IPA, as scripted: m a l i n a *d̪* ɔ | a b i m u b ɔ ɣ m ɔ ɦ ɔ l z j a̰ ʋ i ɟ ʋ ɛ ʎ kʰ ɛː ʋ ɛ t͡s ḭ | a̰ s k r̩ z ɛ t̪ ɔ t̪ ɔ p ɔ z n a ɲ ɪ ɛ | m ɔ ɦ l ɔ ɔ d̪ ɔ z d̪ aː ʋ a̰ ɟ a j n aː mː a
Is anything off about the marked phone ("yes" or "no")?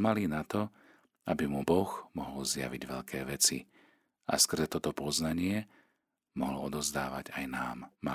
yes